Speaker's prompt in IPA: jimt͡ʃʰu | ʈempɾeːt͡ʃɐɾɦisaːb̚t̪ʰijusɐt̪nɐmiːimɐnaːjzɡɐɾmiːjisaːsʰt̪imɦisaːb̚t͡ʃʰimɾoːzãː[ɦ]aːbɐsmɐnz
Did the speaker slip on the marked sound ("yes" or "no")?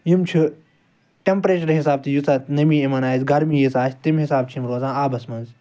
yes